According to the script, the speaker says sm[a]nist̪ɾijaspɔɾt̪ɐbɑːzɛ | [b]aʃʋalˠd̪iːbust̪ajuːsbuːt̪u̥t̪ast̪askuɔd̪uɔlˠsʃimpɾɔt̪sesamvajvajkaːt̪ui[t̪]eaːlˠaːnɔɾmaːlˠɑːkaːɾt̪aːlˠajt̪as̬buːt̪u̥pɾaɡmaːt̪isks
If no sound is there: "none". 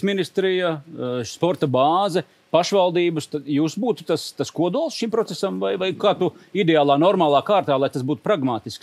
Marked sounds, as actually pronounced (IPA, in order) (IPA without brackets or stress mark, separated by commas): i, p, d̪